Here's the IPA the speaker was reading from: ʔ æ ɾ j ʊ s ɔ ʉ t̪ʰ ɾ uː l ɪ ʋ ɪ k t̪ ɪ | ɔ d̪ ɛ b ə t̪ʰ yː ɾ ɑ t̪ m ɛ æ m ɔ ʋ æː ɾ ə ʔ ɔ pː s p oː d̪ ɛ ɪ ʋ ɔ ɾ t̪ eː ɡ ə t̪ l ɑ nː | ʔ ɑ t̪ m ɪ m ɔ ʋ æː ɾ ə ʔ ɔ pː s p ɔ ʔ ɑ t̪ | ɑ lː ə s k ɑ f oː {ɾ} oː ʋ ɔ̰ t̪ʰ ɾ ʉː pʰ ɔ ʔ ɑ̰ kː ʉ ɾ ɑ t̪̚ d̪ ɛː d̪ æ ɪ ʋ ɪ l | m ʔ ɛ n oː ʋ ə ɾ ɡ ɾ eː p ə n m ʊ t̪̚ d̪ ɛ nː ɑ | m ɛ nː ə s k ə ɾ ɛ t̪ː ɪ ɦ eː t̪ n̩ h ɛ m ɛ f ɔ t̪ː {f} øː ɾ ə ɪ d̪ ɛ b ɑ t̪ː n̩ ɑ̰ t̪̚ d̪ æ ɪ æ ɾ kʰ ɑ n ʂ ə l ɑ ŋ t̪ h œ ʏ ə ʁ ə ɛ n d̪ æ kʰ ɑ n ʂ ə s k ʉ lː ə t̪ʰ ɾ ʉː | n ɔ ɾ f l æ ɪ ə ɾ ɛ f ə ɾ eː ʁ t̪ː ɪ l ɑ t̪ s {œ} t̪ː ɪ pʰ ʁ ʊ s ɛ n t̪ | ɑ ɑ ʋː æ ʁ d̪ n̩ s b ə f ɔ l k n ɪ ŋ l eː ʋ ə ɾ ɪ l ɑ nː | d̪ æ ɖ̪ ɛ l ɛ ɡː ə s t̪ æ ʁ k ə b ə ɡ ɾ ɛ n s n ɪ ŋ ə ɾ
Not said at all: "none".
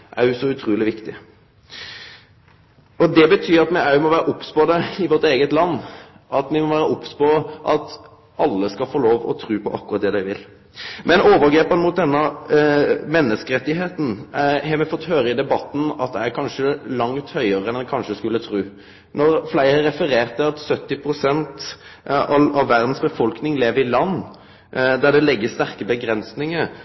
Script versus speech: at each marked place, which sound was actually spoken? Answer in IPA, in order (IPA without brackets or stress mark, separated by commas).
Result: l, h, œ